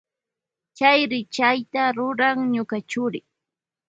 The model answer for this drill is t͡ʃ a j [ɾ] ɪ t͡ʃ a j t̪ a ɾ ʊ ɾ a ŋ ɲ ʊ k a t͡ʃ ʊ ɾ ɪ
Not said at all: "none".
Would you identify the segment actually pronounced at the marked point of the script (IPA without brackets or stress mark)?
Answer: ɾ